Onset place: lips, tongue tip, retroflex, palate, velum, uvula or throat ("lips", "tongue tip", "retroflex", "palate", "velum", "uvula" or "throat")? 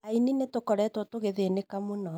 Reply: tongue tip